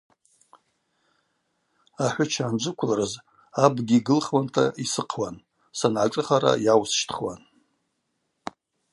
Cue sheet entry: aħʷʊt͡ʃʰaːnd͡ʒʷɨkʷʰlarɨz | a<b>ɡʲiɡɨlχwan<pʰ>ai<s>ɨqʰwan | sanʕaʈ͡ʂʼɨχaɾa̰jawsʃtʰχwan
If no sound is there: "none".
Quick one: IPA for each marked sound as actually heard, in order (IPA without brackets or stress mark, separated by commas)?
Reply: b, tʰ, s